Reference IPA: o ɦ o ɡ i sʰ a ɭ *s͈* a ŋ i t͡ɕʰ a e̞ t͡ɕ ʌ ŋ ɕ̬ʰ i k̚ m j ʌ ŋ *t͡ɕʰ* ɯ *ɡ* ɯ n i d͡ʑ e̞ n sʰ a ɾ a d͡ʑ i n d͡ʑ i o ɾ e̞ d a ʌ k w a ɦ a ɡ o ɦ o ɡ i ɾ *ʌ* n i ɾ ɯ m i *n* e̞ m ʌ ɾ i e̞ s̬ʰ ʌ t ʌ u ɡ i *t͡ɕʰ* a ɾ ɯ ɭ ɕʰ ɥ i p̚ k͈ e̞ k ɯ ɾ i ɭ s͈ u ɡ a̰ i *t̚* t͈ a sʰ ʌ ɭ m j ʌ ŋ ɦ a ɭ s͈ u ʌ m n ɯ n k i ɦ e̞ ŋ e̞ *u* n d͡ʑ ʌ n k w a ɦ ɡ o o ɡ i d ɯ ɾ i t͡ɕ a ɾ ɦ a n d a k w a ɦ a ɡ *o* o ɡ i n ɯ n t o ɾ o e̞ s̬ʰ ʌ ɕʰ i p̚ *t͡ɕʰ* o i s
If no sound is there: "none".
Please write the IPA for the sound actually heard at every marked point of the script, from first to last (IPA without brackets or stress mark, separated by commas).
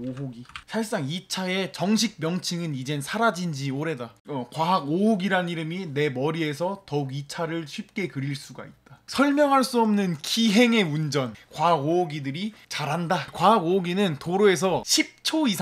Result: s͈, t͡ɕʰ, ŋ, a, n, t͡ɕʰ, t̚, u, o, t͡ɕʰ